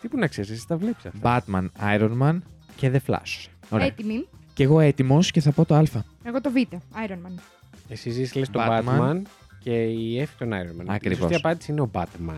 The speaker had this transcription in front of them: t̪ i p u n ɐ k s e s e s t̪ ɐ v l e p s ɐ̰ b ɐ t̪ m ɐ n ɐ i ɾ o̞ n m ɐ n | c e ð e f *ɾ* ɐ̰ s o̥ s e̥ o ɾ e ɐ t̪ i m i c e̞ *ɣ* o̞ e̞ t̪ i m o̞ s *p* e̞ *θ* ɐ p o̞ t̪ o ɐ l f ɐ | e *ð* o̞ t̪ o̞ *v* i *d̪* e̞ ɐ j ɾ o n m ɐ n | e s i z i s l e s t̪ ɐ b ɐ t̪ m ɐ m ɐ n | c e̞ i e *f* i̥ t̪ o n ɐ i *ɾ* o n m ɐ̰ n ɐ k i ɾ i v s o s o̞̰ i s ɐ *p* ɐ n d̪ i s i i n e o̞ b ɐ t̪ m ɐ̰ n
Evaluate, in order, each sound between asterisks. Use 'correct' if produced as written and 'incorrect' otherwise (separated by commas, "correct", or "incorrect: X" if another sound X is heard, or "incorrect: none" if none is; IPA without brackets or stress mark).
incorrect: l, correct, incorrect: c, correct, incorrect: ɣ, correct, incorrect: t̪, correct, correct, correct